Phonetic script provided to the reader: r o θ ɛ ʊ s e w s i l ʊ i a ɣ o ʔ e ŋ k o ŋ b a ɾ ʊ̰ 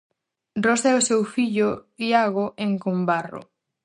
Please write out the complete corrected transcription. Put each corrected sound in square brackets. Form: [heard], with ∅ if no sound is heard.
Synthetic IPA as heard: r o [s] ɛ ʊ s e w [f] i [ʎ] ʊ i a ɣ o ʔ e ŋ k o [m] b a [r] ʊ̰